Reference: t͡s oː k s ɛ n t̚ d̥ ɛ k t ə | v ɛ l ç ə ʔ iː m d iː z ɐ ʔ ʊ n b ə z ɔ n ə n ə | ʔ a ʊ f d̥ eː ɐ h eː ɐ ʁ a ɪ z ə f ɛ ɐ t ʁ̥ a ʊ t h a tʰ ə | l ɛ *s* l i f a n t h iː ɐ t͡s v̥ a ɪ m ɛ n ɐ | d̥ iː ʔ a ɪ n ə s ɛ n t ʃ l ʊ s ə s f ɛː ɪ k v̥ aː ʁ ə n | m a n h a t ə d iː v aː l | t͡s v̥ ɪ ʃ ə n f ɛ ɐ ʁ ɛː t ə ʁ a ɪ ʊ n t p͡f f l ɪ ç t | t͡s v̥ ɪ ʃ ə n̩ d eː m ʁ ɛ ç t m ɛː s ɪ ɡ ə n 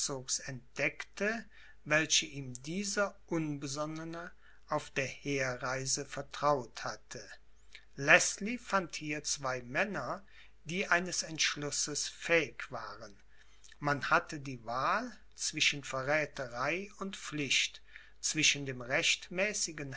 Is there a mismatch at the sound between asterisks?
no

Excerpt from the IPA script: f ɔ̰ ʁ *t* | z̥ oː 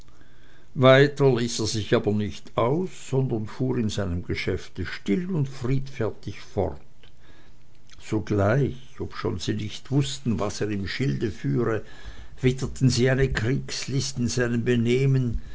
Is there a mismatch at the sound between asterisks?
no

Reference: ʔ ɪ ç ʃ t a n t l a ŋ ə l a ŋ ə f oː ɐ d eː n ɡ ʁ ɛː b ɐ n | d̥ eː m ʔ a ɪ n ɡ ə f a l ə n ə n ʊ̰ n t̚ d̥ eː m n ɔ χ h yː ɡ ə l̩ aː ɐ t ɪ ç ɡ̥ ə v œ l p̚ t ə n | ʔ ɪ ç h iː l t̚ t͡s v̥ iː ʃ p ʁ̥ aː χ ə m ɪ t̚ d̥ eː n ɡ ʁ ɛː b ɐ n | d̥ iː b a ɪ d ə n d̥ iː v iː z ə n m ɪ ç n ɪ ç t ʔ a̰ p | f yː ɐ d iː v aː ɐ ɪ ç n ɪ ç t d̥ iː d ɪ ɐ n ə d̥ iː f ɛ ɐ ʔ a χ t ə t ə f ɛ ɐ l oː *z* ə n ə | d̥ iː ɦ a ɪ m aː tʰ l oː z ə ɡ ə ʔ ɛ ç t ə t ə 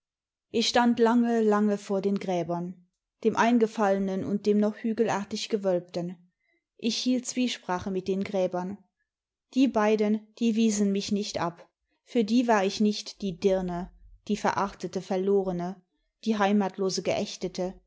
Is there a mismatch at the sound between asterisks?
yes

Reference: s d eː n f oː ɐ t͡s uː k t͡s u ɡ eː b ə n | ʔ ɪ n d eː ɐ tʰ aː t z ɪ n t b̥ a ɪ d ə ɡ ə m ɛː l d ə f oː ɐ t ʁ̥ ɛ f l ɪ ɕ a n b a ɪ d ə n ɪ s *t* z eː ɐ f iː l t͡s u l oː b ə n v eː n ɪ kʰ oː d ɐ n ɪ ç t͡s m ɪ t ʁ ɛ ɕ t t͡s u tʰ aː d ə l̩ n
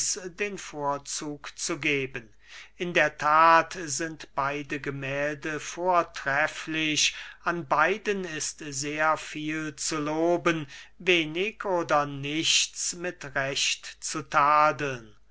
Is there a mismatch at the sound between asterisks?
no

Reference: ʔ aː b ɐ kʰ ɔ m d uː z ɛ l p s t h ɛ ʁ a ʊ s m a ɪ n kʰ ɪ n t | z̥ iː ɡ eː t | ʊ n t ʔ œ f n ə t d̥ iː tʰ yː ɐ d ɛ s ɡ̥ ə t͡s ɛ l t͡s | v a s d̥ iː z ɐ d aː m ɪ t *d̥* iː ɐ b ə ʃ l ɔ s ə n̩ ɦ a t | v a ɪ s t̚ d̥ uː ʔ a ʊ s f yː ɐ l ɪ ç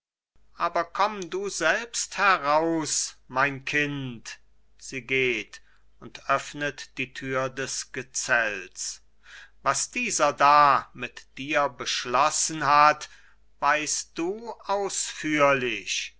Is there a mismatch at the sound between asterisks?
no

